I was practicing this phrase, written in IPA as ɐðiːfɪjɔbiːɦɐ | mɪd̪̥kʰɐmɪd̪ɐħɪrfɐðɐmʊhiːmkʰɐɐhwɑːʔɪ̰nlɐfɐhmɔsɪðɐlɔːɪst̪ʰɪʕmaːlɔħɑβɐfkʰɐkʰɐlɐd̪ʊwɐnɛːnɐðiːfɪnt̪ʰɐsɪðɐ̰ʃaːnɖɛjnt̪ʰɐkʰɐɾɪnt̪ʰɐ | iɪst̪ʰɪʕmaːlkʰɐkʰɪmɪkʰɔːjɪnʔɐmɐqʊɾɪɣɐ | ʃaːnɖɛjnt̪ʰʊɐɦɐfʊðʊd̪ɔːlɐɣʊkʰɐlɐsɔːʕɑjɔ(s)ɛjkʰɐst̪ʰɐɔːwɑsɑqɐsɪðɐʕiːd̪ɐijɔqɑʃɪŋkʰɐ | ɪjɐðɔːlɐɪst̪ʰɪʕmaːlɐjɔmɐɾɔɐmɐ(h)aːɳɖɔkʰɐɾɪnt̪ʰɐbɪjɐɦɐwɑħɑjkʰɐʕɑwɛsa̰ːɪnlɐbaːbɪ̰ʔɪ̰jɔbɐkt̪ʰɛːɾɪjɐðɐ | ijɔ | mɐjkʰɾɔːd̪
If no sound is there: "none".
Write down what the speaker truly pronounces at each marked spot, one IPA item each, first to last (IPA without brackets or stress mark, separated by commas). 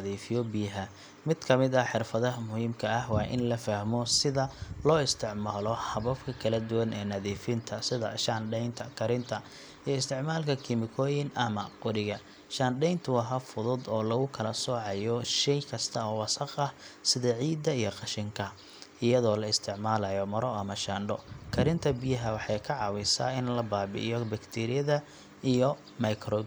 ʃ, ʃ